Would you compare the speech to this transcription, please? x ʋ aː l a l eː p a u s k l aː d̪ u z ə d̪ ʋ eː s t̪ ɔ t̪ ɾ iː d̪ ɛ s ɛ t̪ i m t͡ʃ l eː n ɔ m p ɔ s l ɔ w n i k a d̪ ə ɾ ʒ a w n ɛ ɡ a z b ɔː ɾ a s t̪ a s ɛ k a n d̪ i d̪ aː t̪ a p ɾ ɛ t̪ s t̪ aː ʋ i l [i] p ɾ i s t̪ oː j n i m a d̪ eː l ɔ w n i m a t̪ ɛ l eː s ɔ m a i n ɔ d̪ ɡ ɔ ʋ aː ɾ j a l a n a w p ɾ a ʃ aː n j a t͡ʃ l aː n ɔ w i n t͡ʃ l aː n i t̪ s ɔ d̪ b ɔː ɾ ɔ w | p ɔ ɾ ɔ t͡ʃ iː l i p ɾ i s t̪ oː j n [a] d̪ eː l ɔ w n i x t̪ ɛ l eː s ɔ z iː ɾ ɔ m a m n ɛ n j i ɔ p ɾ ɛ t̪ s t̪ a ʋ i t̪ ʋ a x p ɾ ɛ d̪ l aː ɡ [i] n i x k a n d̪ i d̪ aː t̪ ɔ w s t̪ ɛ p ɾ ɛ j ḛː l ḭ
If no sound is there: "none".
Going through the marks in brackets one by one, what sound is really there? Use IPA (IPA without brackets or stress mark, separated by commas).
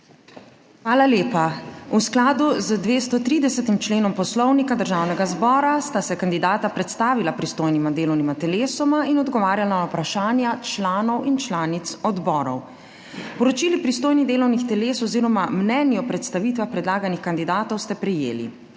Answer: a, i, a